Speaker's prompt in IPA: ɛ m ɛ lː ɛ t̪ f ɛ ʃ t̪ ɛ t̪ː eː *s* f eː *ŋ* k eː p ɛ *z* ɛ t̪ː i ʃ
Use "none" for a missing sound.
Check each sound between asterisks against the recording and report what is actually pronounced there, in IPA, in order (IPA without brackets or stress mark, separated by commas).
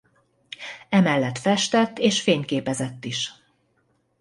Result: ʃ, ɲ, z